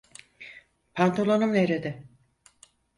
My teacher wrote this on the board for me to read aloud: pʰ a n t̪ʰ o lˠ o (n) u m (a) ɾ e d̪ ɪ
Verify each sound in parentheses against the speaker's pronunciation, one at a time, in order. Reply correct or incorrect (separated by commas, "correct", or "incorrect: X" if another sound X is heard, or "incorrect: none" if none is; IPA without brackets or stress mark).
correct, incorrect: e